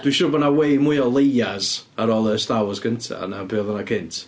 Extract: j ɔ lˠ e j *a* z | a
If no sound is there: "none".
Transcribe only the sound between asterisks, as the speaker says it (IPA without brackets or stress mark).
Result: a